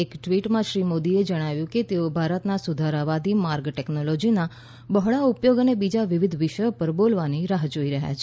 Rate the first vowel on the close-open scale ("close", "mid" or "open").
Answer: mid